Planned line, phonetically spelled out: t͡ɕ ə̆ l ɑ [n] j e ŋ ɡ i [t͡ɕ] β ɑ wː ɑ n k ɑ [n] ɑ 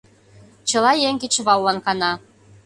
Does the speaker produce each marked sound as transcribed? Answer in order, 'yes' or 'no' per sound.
no, yes, yes

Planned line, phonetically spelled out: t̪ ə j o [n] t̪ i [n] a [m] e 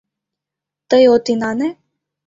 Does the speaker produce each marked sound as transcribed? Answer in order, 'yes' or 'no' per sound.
no, yes, no

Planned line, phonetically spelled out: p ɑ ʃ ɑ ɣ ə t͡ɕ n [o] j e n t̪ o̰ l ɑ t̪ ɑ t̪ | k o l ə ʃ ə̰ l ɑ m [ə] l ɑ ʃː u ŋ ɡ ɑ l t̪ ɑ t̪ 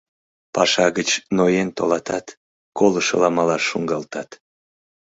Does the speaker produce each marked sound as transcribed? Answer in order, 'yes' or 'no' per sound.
yes, no

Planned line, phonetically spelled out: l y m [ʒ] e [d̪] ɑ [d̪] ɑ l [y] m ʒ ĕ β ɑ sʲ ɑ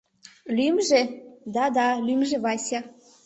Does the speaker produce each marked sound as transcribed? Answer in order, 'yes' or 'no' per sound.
yes, yes, yes, yes

